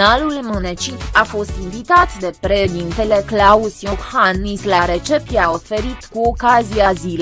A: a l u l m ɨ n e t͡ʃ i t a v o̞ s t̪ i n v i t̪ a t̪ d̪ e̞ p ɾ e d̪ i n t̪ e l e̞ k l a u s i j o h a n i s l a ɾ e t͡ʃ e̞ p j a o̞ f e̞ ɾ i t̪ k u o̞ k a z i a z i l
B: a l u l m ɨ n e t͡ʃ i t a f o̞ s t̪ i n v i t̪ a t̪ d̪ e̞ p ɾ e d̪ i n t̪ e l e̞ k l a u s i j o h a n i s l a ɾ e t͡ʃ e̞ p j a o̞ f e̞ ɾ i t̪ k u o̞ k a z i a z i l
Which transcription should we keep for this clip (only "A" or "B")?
B